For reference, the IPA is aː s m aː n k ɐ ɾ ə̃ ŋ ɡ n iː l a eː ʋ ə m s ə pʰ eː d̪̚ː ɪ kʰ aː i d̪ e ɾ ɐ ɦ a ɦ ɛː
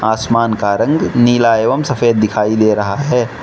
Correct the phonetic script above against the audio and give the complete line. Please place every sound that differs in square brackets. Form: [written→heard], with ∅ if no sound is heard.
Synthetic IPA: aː s m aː n k [ɐ→a] ɾ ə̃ ŋ ɡ n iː l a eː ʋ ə m s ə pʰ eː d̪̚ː ɪ kʰ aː i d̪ e ɾ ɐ ɦ a ɦ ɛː